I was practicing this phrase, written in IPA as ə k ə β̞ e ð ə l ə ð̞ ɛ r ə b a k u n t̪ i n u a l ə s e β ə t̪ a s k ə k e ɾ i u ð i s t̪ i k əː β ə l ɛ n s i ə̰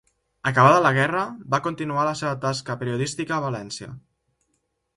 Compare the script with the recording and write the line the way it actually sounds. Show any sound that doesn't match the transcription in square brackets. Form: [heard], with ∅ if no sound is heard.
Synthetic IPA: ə k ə β̞ [a] ð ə l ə [ɣ̞] ɛ r ə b a k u n t̪ i n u a l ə s e β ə t̪ a s k ə [p] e ɾ i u ð i s t̪ i k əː β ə l ɛ n s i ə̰

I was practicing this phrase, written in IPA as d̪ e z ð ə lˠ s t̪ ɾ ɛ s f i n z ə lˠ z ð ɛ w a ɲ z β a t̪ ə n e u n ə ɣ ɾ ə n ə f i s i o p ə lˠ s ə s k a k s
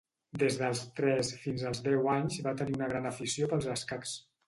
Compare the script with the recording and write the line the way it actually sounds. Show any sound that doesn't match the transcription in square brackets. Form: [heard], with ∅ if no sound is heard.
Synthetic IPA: d̪ e z ð ə lˠ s t̪ ɾ ɛ s f i n z ə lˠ z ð ɛ w a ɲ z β a t̪ ə n [i] u n ə ɣ ɾ [a] n ə f i s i o p ə lˠ [z] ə s k a k s

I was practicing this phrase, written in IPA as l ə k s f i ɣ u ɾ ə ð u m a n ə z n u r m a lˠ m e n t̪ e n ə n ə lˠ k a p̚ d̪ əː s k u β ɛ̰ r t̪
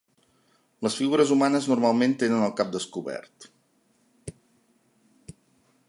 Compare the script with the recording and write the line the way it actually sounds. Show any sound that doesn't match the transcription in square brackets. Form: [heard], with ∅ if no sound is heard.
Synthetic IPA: l ə [∅] s f i ɣ u ɾ ə [z] u m a n ə z n u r m a lˠ m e n t̪ e n ə n ə lˠ k a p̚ d̪ [ə] s k u β ɛ̰ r t̪

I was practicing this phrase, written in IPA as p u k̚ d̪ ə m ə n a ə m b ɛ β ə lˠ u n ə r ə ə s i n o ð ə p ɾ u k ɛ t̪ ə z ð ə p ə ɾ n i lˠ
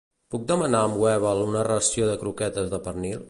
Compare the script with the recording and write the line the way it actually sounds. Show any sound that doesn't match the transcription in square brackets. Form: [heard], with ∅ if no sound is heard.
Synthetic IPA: p u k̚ d̪ ə m ə n a ə m [w] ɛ β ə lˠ u n ə r ə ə s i [∅] o ð ə [k] ɾ u k ɛ t̪ ə z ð ə p ə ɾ n i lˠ

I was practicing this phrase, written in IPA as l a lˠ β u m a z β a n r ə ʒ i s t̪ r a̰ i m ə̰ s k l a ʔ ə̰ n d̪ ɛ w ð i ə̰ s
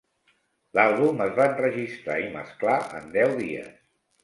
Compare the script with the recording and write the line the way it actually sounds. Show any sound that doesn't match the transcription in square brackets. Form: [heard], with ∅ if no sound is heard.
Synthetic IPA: l a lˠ β u m [ə] z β a n r ə ʒ i s t̪ [ɾ] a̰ i m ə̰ s k l a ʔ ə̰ n d̪ ɛ w ð i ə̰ s

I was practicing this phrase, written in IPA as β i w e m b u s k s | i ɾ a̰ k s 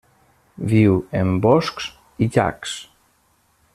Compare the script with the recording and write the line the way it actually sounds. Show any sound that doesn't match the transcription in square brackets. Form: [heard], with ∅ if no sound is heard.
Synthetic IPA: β i w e m b [ɔ] s k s | i [ʎ] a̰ k s

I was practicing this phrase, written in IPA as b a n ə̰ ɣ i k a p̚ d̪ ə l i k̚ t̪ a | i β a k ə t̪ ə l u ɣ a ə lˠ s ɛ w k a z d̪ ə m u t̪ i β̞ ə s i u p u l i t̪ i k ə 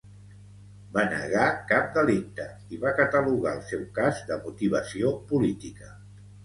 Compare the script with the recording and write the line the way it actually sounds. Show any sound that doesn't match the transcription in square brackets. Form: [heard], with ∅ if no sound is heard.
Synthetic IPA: b a n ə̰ ɣ [a] k a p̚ d̪ ə l i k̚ t̪ [ə] | i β a k ə t̪ ə l u ɣ a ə lˠ s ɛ w k a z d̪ ə m u t̪ i β̞ ə s i [o] p u l i t̪ i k ə

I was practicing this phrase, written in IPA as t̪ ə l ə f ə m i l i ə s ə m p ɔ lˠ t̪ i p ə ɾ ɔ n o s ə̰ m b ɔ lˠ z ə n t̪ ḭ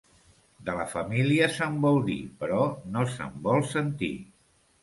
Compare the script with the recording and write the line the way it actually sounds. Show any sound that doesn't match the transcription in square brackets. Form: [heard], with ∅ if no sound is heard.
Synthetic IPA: [d̪] ə l ə f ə m i l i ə s ə m [b] ɔ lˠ [d̪] i p ə ɾ ɔ n o s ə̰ m b ɔ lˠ [s] ə n t̪ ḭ

